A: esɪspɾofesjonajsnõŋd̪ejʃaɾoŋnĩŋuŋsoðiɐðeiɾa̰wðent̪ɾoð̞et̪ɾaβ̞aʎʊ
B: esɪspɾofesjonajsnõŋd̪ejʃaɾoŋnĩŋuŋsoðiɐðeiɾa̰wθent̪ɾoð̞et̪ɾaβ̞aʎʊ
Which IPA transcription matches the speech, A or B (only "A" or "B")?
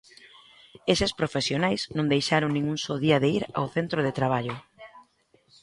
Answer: B